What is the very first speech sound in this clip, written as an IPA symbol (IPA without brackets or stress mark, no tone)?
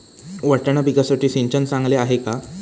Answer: ʋ